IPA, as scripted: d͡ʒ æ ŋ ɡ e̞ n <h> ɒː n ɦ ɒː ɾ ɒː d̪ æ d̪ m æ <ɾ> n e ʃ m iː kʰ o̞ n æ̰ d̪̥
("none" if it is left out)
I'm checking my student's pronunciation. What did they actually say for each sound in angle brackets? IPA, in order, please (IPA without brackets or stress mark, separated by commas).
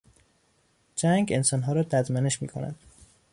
s, none